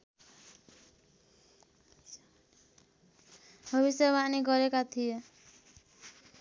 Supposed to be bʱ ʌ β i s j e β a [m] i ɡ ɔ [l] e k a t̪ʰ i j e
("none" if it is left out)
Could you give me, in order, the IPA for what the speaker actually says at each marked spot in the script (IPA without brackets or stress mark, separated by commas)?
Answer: n, ɾ